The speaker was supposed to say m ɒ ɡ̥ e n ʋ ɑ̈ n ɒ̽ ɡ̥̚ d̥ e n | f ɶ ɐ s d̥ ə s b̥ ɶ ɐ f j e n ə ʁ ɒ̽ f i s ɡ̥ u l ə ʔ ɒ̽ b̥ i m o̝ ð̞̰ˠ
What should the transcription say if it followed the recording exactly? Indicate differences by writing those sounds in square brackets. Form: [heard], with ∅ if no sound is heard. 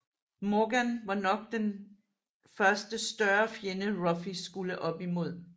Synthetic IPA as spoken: m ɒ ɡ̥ [æ] n ʋ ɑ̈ n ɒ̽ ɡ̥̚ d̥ e n | f ɶ ɐ s d̥ ə s [d̥] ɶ ɐ f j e n ə ʁ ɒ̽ f i s ɡ̥ u l ə ʔ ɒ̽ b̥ i m o̝ ð̞̰ˠ